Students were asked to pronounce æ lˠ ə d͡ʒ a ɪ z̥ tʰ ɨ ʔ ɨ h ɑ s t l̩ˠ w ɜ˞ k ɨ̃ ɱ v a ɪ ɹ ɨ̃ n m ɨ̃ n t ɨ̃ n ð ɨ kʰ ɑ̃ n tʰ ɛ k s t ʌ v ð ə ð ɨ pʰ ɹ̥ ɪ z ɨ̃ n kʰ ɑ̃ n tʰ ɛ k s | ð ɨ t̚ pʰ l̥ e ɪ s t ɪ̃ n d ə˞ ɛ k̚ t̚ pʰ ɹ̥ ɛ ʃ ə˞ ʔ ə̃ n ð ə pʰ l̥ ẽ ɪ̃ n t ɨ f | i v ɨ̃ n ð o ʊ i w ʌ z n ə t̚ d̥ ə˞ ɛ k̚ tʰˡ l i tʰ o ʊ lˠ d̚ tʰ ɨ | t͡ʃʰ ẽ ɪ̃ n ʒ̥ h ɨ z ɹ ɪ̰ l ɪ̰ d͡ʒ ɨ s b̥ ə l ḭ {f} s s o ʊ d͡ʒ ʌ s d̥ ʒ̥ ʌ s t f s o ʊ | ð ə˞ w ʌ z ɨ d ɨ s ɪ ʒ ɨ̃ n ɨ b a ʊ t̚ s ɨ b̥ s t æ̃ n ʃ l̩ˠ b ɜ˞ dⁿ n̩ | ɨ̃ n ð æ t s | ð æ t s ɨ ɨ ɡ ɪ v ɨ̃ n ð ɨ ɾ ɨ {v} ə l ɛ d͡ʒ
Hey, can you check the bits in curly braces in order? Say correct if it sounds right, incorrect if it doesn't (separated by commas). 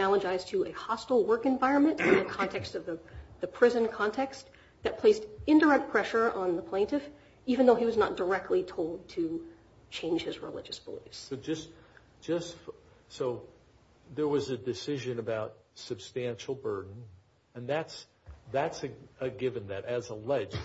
correct, incorrect